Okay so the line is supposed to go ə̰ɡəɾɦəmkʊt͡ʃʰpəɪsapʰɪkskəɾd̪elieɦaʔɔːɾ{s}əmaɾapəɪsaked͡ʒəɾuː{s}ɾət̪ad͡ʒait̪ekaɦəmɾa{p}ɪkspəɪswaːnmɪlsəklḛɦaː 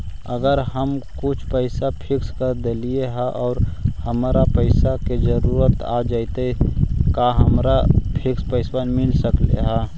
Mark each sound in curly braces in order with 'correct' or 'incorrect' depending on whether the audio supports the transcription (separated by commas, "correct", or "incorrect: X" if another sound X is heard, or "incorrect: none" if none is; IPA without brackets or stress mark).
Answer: incorrect: h, incorrect: none, incorrect: pʰ